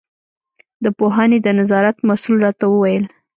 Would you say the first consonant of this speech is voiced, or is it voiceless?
voiced